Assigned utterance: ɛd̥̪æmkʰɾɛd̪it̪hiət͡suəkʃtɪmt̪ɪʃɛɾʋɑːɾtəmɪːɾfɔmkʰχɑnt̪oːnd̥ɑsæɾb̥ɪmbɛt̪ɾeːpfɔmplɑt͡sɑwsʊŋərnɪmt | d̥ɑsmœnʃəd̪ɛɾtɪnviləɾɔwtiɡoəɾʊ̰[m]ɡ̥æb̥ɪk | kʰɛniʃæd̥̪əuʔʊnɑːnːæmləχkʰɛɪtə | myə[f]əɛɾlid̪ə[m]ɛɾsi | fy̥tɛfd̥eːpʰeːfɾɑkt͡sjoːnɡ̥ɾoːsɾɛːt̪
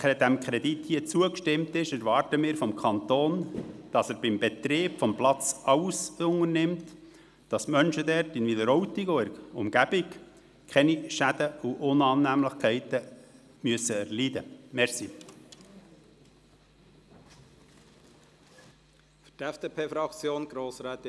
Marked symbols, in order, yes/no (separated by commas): yes, no, yes